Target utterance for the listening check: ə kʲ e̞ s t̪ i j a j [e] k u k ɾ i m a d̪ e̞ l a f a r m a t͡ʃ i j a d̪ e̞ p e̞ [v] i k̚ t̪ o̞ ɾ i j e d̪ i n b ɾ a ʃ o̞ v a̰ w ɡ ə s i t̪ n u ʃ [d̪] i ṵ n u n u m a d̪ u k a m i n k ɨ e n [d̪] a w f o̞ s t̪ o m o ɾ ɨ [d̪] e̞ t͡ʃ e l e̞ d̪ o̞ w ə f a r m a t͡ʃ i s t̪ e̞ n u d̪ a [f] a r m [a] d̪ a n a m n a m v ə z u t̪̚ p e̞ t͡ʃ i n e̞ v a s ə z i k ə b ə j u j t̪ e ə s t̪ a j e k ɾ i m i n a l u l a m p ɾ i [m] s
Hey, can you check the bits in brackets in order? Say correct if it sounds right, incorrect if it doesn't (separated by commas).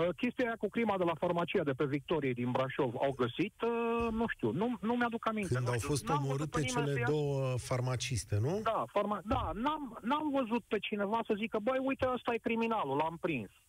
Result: incorrect, correct, incorrect, correct, incorrect, correct, correct, incorrect